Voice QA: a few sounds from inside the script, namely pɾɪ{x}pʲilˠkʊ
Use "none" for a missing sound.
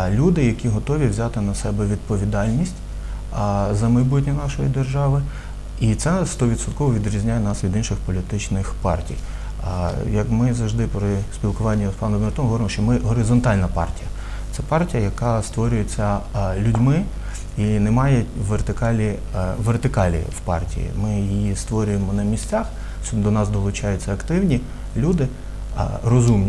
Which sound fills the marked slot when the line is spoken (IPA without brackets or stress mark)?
s